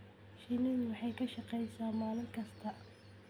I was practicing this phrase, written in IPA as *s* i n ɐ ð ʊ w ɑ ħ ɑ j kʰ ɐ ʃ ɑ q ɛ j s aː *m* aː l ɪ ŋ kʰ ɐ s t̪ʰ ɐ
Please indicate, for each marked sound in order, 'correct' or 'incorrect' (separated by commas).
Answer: incorrect, correct